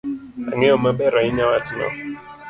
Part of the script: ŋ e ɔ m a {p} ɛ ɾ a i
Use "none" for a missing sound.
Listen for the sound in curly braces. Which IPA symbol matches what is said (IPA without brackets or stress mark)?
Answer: b